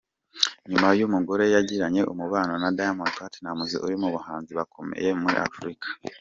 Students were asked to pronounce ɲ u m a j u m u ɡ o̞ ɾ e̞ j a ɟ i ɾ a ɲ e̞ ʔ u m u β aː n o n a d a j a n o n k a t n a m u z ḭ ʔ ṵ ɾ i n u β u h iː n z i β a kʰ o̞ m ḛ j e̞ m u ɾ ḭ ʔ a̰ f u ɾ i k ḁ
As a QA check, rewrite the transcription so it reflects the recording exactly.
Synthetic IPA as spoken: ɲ u m a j u m u ɡ o̞ ɾ e̞ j a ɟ i ɾ a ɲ e̞ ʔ u m u β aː n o n a d a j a m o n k a t n a m u z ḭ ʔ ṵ ɾ i m u β u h aː n z i β a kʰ o̞ m ḛ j e̞ m u ɾ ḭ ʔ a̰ f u ɾ i k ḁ